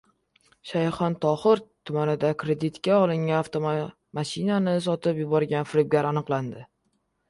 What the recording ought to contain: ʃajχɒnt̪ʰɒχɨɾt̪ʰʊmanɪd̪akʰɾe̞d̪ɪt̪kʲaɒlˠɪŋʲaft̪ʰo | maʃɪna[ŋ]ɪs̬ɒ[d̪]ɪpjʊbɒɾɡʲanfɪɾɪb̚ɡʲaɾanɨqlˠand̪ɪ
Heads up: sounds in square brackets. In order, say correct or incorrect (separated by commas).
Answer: incorrect, incorrect